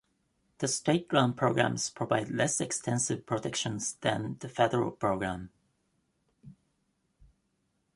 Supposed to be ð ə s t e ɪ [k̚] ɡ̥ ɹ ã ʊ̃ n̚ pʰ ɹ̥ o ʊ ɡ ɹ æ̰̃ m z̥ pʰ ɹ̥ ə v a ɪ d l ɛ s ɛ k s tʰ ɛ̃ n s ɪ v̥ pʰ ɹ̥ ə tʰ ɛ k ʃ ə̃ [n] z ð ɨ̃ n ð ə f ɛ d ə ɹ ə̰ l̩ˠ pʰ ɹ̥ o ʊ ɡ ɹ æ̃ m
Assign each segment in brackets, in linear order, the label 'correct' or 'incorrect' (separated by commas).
incorrect, correct